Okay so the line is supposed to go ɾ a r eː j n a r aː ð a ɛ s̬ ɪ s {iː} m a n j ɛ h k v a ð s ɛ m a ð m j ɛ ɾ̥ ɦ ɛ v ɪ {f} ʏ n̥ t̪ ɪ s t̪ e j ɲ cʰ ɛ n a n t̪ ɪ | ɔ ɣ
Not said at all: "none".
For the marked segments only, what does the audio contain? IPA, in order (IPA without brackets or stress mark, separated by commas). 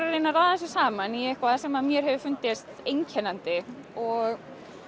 aː, f